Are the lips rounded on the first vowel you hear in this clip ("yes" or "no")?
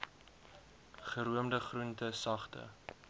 no